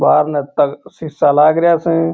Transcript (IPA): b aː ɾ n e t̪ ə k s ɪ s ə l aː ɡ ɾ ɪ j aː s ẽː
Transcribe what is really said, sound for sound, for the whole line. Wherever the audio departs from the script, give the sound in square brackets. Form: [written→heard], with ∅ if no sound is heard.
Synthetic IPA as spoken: b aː ɾ n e t̪ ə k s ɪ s [ə→a] l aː ɡ ɾ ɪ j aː s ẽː